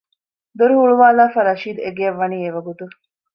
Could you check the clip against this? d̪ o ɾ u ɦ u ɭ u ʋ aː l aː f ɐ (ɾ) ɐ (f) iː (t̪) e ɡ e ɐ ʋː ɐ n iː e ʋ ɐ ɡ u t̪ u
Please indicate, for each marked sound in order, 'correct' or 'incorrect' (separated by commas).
correct, incorrect, incorrect